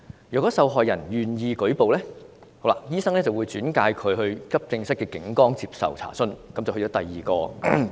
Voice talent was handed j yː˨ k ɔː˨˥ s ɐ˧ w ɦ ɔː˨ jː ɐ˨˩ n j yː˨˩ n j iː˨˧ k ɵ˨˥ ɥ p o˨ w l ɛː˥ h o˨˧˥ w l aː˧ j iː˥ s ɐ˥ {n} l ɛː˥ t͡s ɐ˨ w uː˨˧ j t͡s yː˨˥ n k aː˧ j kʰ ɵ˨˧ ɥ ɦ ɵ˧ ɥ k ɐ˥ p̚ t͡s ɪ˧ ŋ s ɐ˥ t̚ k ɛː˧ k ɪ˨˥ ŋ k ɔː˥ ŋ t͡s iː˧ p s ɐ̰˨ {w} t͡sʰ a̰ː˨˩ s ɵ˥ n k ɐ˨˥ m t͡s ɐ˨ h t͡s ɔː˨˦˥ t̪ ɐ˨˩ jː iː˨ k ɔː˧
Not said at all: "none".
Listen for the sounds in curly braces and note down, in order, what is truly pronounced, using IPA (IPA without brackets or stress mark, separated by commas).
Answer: ŋ, w